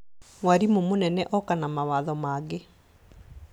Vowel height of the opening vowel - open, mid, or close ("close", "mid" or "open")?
open